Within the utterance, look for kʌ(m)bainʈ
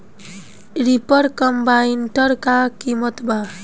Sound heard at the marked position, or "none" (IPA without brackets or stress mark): m